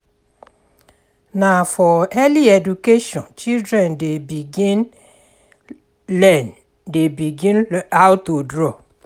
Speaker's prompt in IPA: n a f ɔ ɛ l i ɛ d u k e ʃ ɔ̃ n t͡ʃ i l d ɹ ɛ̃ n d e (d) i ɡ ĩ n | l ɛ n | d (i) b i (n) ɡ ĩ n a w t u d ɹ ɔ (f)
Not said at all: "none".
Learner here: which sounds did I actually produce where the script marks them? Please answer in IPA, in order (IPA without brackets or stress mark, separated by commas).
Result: b, e, none, none